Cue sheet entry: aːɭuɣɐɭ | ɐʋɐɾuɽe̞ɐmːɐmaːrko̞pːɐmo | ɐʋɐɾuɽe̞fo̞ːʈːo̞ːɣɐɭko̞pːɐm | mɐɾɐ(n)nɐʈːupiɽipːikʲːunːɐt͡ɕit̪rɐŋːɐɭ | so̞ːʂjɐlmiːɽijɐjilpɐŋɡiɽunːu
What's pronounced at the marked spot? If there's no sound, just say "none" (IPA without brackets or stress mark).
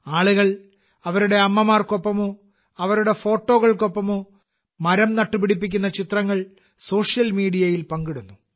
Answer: m